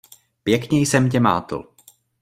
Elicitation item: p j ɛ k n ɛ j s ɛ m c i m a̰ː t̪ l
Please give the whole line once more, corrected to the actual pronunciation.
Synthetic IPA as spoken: p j ɛ k ɲ ɛ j s ɛ m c ɛ m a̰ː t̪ l